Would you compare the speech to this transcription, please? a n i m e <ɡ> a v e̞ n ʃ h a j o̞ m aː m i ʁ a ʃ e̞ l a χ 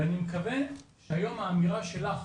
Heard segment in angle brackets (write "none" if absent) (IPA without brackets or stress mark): k